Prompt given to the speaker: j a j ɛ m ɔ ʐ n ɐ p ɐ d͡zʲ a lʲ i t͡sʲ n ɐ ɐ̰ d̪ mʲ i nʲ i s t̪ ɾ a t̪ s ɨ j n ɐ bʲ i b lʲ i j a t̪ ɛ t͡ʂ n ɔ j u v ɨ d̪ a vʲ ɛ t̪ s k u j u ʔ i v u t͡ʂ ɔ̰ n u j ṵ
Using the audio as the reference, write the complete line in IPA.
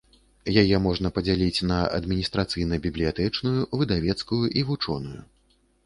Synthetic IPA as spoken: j a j ɛ m ɔ ʐ n ɐ p ɐ d͡zʲ a lʲ i t͡sʲ n ɐ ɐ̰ d̪ mʲ i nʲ i s t̪ ɾ a t̪ s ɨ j n ɐ bʲ i b lʲ i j a t̪ ɛ t͡ʂ n u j u v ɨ d̪ a vʲ ɛ t̪ s k u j u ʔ i v u t͡ʂ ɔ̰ n u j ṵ